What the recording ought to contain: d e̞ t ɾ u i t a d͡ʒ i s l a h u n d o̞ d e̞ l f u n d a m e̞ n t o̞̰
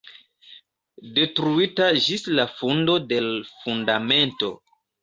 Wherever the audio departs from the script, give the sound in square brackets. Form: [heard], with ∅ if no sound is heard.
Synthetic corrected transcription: d e̞ t ɾ u i t a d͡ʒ i s l a [f] u n d o̞ d e̞ l f u n d a m e̞ n t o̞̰